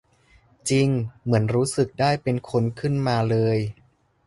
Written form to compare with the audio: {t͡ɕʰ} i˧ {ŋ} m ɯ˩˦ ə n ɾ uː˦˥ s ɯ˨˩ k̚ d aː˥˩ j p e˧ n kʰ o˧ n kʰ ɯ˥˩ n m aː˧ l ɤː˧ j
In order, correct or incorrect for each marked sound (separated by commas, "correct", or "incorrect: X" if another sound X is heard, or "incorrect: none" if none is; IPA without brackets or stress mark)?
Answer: incorrect: t͡ɕ, correct